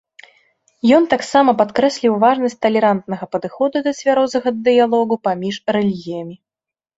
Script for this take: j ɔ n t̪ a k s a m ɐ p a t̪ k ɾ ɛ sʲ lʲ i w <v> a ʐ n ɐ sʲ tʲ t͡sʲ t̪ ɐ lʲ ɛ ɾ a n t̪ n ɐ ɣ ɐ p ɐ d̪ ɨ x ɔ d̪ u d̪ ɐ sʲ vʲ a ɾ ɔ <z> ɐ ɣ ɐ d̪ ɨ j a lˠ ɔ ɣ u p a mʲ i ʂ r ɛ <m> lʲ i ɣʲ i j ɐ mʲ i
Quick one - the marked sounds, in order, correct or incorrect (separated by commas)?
correct, correct, incorrect